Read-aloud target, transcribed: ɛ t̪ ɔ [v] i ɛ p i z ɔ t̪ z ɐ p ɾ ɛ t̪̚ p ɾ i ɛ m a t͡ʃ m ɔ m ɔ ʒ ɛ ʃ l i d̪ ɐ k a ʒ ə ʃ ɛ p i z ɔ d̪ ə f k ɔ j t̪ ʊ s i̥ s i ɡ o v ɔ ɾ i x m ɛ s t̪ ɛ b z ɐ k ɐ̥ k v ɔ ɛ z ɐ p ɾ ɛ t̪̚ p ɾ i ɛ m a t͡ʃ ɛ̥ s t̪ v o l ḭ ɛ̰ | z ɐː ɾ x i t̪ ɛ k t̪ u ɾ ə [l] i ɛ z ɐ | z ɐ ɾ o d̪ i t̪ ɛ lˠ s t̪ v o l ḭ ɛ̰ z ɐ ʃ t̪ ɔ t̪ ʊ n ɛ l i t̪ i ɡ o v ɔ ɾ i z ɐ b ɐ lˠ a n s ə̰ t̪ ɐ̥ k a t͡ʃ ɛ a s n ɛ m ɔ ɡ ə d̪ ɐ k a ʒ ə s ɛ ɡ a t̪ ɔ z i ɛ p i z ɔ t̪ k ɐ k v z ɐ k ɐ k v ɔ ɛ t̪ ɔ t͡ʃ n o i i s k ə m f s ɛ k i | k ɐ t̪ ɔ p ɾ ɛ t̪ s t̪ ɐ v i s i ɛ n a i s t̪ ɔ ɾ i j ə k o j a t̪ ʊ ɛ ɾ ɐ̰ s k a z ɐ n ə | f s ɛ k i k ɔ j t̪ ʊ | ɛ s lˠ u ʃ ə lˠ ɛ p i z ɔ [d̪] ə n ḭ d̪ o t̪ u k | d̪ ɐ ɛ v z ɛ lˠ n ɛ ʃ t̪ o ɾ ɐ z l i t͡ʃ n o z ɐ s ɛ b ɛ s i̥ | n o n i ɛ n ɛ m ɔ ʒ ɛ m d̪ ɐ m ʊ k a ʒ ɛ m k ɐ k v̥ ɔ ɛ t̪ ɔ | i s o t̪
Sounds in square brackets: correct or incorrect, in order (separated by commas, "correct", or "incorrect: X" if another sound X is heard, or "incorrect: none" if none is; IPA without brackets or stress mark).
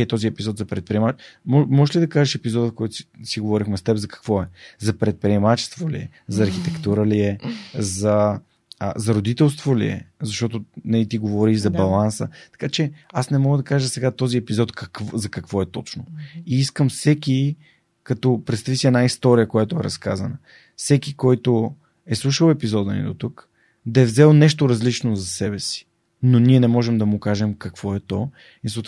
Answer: incorrect: z, correct, correct